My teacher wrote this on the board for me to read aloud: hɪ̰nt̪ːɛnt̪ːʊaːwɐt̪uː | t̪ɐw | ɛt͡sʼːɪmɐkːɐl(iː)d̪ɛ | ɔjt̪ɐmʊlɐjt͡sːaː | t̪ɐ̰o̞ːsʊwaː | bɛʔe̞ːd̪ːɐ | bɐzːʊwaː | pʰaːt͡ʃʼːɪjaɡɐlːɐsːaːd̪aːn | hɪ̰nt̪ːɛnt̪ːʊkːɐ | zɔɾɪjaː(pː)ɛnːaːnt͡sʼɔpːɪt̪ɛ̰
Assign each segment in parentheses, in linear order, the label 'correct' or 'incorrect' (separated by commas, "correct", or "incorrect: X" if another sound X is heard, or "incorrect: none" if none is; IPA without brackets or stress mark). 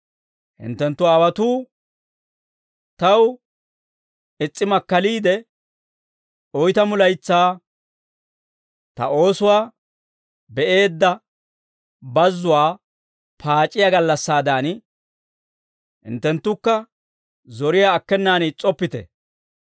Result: correct, incorrect: kː